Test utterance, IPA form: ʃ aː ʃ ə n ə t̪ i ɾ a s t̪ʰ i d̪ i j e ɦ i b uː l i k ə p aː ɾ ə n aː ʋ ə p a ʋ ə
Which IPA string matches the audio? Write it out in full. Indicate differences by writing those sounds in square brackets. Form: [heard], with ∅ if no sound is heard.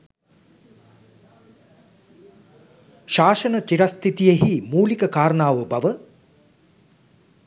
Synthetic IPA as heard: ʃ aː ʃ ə n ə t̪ i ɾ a s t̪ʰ i [t̪] i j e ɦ i [m] uː l i k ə [k] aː ɾ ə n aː ʋ ə [b] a ʋ ə